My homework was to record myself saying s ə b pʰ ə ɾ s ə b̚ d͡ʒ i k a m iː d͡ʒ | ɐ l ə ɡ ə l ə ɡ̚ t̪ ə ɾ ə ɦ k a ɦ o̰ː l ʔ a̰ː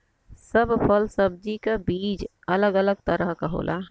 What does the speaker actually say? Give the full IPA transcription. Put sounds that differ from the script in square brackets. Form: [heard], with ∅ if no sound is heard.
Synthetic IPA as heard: s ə b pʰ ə [l] s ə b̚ d͡ʒ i k a [b] iː d͡ʒ | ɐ l ə ɡ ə l ə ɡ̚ t̪ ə ɾ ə ɦ k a ɦ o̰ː l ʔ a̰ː